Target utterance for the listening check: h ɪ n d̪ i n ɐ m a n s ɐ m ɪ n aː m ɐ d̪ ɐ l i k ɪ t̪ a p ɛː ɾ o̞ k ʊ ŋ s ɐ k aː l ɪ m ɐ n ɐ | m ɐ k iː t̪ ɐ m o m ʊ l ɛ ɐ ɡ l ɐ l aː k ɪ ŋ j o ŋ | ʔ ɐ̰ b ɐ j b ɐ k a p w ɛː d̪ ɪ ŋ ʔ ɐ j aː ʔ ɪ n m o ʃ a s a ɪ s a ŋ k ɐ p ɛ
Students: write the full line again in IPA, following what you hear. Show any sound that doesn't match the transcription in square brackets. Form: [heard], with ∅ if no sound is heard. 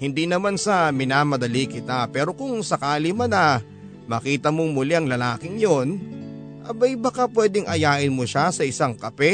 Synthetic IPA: h ɪ n d̪ i n ɐ m a n s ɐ m ɪ n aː m ɐ d̪ ɐ l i k ɪ t̪ a p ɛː ɾ o̞ k ʊ ŋ s ɐ k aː l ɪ m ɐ n ɐ | m ɐ k iː t̪ ɐ m o m ʊ l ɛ ɐ [ŋ] l ɐ l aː k ɪ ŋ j o [n] | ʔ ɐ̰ b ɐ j b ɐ k a p w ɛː d̪ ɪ ŋ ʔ ɐ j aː ʔ ɪ n m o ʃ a s [ɐ] ɪ s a ŋ k ɐ p ɛ